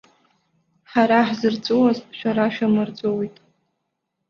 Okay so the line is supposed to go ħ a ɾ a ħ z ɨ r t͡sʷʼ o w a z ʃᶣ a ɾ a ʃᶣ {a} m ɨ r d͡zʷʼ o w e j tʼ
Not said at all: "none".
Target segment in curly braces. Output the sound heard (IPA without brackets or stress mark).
a